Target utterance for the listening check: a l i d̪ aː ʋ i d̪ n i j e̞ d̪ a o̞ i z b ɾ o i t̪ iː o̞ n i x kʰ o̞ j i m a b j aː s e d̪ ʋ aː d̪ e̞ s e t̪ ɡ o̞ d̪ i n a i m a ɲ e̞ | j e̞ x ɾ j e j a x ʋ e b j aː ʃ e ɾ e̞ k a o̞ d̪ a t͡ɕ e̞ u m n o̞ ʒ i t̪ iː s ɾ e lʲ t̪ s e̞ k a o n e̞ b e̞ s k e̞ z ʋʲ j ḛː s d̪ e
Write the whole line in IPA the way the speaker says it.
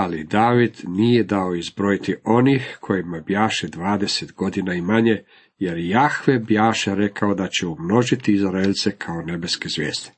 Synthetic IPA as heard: a l i d̪ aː ʋ i d̪ n i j e̞ d̪ a o̞ i z b ɾ o i t̪ i o̞ n i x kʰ o̞ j i m a b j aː ʃ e d̪ ʋ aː d̪ e̞ s e t̪ ɡ o̞ d̪ i n a i m a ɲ e̞ | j e̞ ɾ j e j a x ʋ e b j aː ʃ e ɾ e̞ k a o̞ d̪ a t͡ɕ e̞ u m n o̞ ʒ i t̪ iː z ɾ e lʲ t̪ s e̞ kʰ a o n e̞ b e̞ s k e̞ z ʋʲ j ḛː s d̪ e